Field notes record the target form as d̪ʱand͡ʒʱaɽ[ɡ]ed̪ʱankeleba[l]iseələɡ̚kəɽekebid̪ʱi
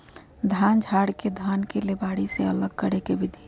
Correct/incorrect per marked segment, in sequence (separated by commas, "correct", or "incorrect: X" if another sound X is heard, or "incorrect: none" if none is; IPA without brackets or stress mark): incorrect: k, incorrect: ɽ